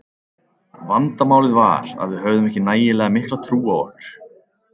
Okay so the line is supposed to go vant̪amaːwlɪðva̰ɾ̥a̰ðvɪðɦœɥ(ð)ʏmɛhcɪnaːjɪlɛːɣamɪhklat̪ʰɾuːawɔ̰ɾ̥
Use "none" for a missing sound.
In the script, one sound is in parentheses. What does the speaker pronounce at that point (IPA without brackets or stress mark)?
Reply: ð